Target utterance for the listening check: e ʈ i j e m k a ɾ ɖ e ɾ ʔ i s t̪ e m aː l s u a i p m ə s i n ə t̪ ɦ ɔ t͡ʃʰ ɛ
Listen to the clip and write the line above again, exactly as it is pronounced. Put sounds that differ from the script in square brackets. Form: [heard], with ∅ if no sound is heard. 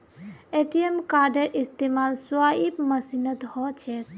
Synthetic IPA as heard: e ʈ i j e m k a ɾ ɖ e ɾ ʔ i s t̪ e m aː l s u a i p m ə s i n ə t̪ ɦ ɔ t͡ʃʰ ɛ